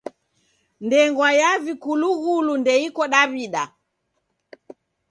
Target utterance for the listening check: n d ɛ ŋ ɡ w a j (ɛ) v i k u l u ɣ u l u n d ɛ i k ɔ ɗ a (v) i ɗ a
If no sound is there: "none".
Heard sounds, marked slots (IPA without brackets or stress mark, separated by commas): a, β